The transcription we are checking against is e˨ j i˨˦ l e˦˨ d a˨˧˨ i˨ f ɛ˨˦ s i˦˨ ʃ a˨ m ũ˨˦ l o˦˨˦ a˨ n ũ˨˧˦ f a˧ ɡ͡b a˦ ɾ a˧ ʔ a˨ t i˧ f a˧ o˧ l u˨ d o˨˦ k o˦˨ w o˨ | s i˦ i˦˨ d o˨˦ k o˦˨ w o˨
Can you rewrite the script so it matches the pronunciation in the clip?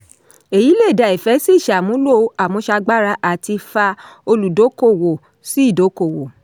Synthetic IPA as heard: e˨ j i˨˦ l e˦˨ d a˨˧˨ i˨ f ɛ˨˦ s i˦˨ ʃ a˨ m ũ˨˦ l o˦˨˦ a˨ m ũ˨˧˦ ʃ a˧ ɡ͡b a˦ ɾ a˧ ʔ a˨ t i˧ f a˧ o˧ l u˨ d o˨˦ k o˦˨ w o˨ | s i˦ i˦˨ d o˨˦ k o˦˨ w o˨